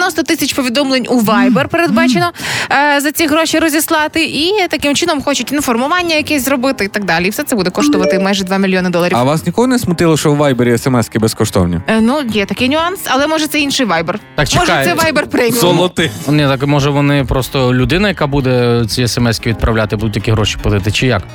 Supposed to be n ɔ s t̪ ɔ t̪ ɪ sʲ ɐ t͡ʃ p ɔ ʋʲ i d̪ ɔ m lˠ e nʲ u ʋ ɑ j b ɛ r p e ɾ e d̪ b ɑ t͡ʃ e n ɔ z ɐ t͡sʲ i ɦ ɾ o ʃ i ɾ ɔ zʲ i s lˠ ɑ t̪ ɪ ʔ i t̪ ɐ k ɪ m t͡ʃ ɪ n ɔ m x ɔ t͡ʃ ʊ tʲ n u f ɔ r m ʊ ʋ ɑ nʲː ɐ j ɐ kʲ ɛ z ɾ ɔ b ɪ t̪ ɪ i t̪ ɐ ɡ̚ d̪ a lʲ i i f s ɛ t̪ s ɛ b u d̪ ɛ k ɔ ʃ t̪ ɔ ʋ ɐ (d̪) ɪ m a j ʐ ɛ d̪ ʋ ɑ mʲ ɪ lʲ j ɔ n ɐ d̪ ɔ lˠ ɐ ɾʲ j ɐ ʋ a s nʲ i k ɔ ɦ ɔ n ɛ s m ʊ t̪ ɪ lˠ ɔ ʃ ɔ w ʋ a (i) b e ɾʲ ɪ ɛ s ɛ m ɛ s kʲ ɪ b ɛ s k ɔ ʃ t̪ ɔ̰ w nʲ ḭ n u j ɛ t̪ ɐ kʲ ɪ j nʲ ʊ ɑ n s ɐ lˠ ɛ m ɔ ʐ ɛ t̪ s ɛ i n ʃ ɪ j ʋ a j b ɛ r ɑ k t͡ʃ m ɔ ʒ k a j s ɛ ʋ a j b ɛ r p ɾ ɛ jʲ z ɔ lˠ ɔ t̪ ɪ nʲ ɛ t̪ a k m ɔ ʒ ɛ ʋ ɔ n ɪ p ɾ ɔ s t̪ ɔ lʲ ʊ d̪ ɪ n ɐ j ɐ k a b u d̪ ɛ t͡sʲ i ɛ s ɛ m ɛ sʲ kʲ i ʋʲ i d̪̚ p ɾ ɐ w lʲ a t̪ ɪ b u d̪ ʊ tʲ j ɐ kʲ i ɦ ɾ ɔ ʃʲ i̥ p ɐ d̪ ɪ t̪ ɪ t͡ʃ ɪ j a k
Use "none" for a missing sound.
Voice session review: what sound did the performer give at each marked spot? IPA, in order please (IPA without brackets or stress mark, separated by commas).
t̪, j